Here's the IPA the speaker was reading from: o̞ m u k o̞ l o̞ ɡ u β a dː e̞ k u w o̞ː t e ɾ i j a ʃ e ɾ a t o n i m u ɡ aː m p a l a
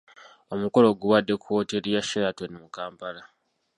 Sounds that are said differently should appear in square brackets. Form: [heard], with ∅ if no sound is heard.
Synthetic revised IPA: o̞ m u k o̞ l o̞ ɡ u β a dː e̞ k u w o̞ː t e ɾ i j a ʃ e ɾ a t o n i m u [k] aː m p a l a